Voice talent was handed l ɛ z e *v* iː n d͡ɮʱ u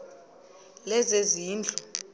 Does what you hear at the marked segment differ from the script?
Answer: yes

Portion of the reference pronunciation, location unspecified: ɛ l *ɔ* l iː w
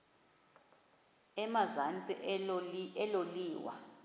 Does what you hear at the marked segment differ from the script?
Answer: yes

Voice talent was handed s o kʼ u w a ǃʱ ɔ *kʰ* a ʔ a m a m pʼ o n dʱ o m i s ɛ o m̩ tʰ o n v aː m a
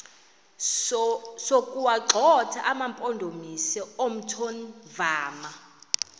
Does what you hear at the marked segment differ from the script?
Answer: yes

